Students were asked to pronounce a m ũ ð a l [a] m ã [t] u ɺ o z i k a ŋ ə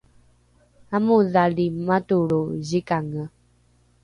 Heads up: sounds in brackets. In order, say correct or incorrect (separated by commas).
incorrect, correct